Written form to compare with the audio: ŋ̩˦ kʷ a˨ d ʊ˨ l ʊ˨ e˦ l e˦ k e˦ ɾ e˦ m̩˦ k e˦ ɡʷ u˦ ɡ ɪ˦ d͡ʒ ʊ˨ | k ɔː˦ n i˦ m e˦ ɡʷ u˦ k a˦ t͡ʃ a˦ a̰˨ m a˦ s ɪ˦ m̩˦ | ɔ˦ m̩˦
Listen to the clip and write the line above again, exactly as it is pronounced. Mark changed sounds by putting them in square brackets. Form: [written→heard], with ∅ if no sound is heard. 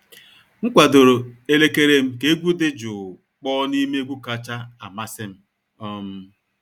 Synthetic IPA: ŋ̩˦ kʷ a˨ d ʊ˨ [l→ɾ] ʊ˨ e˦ l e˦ k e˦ ɾ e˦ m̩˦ k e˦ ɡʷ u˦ [ɡ→d] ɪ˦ d͡ʒ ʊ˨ | [k→k͡p] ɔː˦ n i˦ m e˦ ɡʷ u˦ k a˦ t͡ʃ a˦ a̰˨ m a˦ s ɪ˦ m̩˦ | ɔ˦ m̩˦